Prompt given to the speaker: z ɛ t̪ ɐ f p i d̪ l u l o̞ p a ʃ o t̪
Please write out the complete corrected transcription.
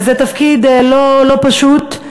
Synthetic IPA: z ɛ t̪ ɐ f k i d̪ l o l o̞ p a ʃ u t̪